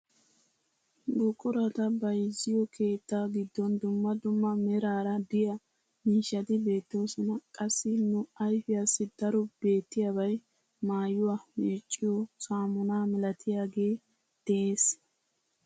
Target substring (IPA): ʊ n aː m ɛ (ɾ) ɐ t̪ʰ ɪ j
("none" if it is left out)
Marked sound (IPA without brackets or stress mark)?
l